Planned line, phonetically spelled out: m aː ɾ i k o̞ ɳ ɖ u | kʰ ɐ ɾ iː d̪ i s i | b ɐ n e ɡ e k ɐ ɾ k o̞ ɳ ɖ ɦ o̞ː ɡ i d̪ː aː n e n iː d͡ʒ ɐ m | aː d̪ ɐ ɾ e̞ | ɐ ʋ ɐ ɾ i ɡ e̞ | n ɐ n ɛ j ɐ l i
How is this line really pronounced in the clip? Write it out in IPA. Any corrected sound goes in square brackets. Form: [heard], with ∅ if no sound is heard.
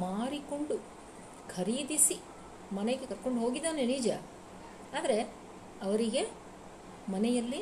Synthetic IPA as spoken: m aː ɾ i k o̞ ɳ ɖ u | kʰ ɐ ɾ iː d̪ i s i | [m] ɐ n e ɡ e k ɐ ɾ k o̞ ɳ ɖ ɦ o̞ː ɡ i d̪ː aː n e n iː d͡ʒ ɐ [∅] | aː d̪ ɐ ɾ e̞ | ɐ ʋ ɐ ɾ i ɡ e̞ | [m] ɐ n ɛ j ɐ [lː] i